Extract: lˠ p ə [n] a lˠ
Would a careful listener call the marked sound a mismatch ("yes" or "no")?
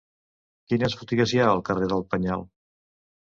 yes